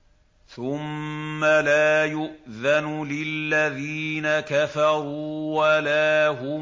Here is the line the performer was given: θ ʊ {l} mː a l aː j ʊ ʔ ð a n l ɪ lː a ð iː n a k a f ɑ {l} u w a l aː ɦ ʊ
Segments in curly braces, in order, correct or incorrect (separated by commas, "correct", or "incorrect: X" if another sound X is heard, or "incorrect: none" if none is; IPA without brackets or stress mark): incorrect: none, incorrect: ɾ